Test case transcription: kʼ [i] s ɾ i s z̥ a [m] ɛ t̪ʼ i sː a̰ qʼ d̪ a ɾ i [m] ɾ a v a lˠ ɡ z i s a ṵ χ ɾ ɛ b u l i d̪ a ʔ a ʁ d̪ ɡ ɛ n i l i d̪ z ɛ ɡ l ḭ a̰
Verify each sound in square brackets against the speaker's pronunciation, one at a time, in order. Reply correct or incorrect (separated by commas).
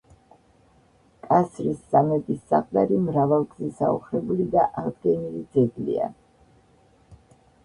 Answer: incorrect, correct, correct